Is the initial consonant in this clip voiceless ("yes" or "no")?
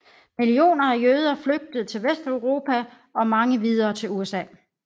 no